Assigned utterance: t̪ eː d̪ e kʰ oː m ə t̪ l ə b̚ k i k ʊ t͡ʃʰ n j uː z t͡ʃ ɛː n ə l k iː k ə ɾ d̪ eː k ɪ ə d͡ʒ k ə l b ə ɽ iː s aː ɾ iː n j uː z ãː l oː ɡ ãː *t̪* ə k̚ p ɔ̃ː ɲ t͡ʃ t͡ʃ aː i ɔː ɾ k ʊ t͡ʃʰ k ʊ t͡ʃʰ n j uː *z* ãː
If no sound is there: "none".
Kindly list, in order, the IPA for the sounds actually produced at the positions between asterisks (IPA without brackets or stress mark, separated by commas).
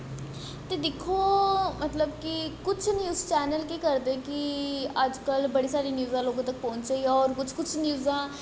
t̪, z